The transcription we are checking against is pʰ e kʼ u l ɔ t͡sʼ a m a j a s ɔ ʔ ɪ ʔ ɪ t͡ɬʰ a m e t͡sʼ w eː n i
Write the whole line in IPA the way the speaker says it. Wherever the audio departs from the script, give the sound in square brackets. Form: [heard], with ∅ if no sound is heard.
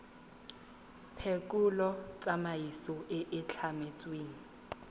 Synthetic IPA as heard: pʰ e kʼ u l ɔ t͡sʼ a m a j [i] s ɔ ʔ ɪ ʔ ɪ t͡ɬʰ a m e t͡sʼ w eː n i